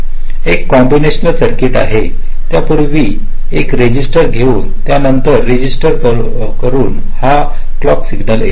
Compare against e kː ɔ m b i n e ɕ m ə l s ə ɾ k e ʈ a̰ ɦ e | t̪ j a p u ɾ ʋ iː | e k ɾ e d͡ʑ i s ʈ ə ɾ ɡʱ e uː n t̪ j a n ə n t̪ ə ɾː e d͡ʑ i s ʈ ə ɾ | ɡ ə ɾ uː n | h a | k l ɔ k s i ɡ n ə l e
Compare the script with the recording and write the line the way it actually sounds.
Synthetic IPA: e kː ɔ m b i n e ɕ n ə l s ə ɾ k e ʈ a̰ ɦ e | t̪ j a p u ɾ ʋ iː | e k ɾ e d͡ʑ i s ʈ ə ɾ ɡʱ e uː n t̪ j a n ə n t̪ ə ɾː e d͡ʑ i s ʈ ə ɾ | k ə ɾ uː n | h a | k l ɔ k s i ɡ n ə l e